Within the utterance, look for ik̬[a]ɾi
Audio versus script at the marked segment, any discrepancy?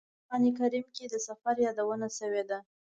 no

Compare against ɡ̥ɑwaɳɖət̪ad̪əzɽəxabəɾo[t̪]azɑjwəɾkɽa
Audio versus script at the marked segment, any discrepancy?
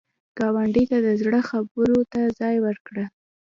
no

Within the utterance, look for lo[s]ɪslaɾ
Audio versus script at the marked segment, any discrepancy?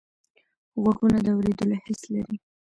yes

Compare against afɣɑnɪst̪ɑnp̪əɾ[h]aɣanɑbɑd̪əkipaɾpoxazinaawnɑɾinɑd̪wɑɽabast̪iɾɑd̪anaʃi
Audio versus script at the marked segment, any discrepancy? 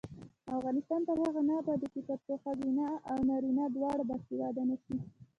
no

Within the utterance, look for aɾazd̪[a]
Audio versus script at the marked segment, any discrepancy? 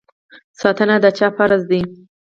yes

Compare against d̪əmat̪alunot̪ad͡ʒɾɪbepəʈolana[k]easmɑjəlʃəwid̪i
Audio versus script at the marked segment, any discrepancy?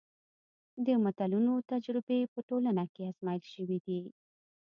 no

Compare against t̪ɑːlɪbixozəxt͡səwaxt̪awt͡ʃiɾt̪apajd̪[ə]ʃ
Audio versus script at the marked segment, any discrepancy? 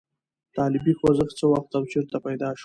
yes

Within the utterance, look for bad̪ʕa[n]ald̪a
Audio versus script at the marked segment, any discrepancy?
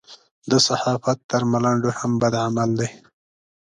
yes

